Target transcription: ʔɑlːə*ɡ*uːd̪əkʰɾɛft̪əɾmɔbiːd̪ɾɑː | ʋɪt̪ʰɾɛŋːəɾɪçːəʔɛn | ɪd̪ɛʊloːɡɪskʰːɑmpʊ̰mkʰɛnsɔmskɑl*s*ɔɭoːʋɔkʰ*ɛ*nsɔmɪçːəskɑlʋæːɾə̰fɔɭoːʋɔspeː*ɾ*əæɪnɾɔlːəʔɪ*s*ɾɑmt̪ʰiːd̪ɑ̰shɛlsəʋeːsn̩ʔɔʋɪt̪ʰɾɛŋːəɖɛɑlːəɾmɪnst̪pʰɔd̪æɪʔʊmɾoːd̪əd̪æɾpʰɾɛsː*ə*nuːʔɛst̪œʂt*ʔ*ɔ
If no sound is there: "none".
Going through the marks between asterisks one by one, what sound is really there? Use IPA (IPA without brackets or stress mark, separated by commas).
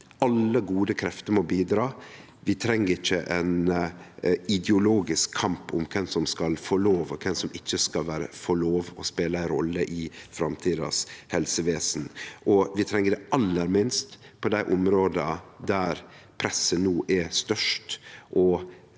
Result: ɡ, f, ɛ, l, f, ə, ʔ